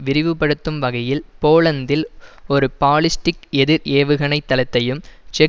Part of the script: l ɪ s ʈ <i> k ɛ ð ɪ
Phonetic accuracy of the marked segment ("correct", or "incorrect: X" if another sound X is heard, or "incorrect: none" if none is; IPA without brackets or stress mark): incorrect: ɪ